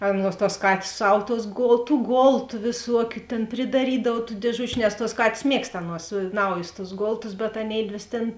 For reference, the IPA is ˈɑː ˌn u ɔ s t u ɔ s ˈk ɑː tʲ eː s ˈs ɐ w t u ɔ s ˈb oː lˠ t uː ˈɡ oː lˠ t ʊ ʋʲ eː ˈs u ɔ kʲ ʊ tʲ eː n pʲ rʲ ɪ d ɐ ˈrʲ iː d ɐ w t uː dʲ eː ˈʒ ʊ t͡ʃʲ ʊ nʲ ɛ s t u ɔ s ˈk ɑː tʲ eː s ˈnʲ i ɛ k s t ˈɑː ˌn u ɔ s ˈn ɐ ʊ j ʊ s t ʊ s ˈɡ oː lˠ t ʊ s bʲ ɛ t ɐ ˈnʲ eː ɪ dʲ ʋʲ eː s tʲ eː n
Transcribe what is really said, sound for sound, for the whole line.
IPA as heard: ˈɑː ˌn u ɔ s t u ɔ s ˈk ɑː tʲ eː s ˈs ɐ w t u ɔ s ˈɡ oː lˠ t uː ˈɡ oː lˠ t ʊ ʋʲ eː ˈs u ɔ kʲ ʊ tʲ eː n pʲ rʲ ɪ d ɐ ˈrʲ iː d ɐ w t uː dʲ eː ˈʒ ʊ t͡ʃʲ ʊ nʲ ɛ s t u ɔ s ˈk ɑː tʲ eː s ˈmʲ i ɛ k s t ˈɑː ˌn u ɔ s ˈn ɐ ʊ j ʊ s t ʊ s ˈɡ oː lˠ t ʊ s bʲ ɛ t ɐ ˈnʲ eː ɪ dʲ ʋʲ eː s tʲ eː n